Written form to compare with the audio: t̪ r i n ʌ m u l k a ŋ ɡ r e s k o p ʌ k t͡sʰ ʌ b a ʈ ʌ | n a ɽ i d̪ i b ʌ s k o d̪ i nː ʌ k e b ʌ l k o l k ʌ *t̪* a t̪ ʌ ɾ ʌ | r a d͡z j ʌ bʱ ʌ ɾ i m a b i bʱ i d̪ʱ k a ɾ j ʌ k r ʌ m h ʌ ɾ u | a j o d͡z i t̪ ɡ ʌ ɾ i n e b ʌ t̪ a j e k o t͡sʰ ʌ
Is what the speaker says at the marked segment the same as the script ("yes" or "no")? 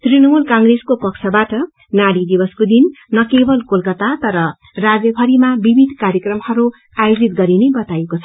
yes